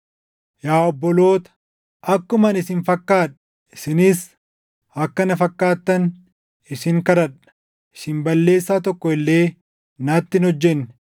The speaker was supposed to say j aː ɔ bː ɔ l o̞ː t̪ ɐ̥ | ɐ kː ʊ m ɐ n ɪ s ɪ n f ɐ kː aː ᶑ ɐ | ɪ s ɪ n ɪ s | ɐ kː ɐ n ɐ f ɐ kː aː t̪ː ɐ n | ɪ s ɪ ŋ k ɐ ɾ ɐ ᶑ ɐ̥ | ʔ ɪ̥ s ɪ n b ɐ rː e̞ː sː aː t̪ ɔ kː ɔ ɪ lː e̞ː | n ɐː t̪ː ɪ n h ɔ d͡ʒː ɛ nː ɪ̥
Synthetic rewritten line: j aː ɔ bː ɔ l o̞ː t̪ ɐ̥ | ɐ kː ʊ m ɐ n ɪ s ɪ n f ɐ kː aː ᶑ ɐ | ɪ s ɪ n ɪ s | ɐ kː ɐ n ɐ f ɐ kː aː t̪ː ɐ n | ɪ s ɪ ŋ k ɐ ɾ ɐ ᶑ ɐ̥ | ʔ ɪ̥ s ɪ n b ɐ lː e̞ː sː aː t̪ ɔ kː ɔ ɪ lː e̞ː | n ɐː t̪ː ɪ n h ɔ d͡ʒː ɛ nː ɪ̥

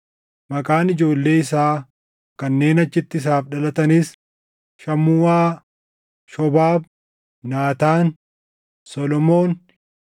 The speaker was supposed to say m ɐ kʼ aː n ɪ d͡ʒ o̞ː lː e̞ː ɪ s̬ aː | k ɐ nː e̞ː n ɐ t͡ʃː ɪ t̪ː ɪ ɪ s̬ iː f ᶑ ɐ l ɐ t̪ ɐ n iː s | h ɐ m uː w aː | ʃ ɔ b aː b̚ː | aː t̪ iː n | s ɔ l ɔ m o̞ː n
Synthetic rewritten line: m ɐ kʼ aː n ɪ d͡ʒ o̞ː lː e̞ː ɪ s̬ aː | k ɐ nː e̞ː n ɐ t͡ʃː ɪ t̪ː ɪ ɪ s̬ aː f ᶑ ɐ l ɐ t̪ ɐ n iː s | ʃ ɐ m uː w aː | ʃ ɔ b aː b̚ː | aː t̪ aː n | s ɔ l ɔ m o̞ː n

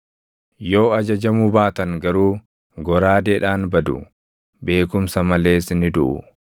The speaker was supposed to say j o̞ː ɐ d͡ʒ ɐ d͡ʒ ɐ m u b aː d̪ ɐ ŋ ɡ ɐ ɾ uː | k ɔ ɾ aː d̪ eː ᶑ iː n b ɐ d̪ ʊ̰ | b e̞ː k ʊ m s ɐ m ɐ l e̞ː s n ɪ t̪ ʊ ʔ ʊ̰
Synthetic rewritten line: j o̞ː ɐ d͡ʒ ɐ d͡ʒ ɐ m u b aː t̪ ɐ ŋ ɡ ɐ ɾ uː | ɡ ɔ ɾ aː d̪ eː ᶑ aː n b ɐ d̪ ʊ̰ | b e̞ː k ʊ m s ɐ m ɐ l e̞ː s n ɪ d̪ ʊ ʔ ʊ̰

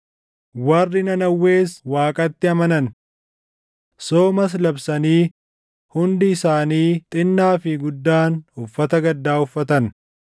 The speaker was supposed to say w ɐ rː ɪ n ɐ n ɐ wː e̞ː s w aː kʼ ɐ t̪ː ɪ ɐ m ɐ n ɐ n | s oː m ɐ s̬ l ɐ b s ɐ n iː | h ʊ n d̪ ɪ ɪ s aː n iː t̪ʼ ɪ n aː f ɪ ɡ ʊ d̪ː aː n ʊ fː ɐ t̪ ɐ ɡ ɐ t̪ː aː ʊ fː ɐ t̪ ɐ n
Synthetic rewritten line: w ɐ rː ɪ n ɐ n ɐ wː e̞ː s w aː kʼ ɐ t̪ː ɪ ɐ m ɐ n ɐ n | s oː m ɐ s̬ l ɐ b s ɐ n iː | h ʊ n d̪ ɪ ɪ s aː n iː t̪ʼ ɪ nː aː f ɪ ɡ ʊ d̪ː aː n ʊ fː ɐ t̪ ɐ ɡ ɐ d̪ː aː ʊ fː ɐ t̪ ɐ n

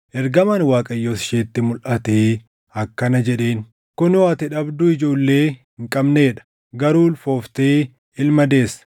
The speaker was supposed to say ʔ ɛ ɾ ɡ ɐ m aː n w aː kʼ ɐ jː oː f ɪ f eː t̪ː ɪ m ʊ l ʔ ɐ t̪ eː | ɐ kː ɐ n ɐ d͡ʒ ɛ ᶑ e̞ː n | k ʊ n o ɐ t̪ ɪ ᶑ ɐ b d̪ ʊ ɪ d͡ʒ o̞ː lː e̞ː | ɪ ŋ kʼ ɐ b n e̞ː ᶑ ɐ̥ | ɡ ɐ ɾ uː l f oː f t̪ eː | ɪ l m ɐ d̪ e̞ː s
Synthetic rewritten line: ʔ ɛ ɾ ɡ ɐ m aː n w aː kʼ ɐ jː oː s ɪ ʃ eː t̪ː ɪ m ʊ l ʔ ɐ t̪ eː | ɐ kː ɐ n ɐ d͡ʒ ɛ ᶑ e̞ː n | k ʊ n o ɐ t̪ ɪ ᶑ ɐ b d̪ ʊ ɪ d͡ʒ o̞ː lː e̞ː | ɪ ŋ kʼ ɐ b n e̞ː ᶑ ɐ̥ | ɡ ɐ ɾ uː l f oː f t̪ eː | ɪ l m ɐ d̪ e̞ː s

